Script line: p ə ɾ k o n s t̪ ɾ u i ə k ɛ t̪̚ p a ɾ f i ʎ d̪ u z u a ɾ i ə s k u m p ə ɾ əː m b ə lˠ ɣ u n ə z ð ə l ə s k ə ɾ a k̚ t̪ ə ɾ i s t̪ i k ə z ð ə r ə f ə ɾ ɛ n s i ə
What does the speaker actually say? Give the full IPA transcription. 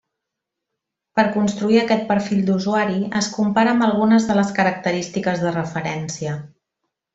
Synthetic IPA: p ə ɾ k u n s t̪ ɾ u i ə k ɛ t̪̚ p ə ɾ f i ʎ d̪ u z u a ɾ i ə s k u m p a ɾ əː m b ə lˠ ɣ u n ə z ð ə l ə s k ə ɾ ə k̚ t̪ ə ɾ i s t̪ i k ə z ð ə r ə f ə ɾ ɛ n s i ə